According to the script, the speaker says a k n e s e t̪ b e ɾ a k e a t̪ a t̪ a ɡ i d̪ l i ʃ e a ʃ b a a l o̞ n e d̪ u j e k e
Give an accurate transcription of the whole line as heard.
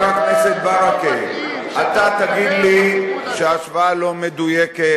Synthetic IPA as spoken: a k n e s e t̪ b a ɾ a k e a t̪ a t̪ a ɡ i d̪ l i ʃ e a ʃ v a a l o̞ m e d̪ u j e k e